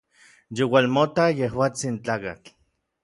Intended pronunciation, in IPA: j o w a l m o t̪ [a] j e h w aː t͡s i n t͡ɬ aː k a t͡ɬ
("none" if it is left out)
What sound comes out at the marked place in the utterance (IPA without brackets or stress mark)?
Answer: a